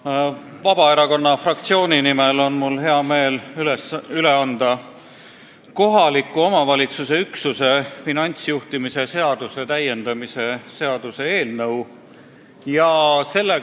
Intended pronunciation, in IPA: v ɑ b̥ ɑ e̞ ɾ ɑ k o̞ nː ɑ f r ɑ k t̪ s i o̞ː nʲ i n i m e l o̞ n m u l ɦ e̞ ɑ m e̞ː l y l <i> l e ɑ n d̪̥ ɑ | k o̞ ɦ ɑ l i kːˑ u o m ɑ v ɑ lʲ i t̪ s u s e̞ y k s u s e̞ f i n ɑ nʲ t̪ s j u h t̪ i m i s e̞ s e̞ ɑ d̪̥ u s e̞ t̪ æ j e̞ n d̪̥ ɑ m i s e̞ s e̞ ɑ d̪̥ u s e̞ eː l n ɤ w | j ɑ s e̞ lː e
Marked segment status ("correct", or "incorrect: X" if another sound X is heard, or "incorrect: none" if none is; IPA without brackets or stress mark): incorrect: y